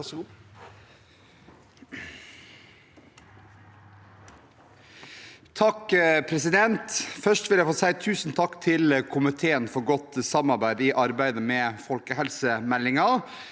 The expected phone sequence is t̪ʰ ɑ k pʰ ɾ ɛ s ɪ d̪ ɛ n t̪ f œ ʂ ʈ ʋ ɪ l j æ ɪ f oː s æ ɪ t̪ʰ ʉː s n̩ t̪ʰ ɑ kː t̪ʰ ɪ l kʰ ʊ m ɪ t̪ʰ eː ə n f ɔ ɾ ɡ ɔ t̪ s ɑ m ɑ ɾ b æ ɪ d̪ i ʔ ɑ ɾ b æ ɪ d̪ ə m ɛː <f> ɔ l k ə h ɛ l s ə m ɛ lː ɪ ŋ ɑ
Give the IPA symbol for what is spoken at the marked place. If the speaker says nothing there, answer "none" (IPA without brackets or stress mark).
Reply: f